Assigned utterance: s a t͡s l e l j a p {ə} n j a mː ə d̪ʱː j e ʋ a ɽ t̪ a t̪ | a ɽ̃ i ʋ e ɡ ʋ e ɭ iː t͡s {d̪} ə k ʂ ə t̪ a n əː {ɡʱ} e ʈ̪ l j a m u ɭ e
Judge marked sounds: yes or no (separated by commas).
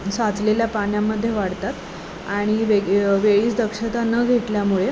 no, yes, yes